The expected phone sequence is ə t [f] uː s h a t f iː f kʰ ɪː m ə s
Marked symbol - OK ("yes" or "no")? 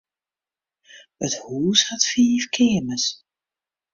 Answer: no